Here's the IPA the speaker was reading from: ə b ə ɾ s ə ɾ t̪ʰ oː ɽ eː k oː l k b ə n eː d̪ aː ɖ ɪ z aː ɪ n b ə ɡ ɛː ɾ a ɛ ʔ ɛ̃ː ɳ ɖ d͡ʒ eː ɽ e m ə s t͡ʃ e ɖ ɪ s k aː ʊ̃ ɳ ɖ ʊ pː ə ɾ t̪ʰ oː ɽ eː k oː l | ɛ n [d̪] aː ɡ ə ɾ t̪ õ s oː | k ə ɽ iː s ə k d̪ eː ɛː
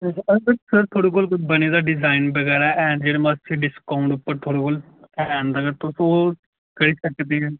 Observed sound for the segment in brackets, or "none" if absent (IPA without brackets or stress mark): d̪